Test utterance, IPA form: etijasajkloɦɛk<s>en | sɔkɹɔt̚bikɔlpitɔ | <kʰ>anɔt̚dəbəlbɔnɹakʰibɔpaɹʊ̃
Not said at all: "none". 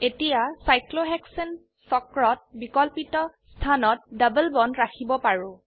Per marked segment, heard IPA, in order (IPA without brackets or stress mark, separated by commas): s, tʰ